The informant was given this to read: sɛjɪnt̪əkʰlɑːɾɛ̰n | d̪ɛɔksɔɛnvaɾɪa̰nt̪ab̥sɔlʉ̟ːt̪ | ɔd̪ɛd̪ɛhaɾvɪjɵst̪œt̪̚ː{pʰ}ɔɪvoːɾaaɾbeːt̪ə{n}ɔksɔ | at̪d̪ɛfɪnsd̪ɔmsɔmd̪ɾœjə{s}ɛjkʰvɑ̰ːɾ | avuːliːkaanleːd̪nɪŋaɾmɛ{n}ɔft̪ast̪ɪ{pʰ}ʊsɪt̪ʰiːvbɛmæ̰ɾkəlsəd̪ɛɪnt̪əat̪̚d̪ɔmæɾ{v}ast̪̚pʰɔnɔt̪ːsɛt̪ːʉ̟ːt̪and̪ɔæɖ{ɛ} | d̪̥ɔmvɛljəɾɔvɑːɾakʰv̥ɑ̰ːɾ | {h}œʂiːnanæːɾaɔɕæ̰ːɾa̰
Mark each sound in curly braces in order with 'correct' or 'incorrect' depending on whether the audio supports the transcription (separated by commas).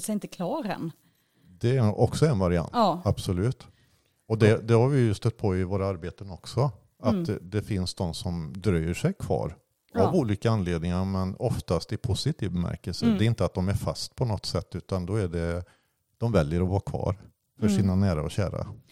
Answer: correct, correct, incorrect, correct, correct, incorrect, correct, incorrect